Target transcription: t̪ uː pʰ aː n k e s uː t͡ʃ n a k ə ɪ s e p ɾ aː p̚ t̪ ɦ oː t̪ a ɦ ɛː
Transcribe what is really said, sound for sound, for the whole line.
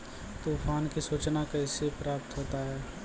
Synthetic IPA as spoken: t̪ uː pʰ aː n k i s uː t͡ʃ n a k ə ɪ s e p ɾ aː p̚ t̪ ɦ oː t̪ a ɦ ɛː